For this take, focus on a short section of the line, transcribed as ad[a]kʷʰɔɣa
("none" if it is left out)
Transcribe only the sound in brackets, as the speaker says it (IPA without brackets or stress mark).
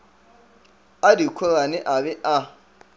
i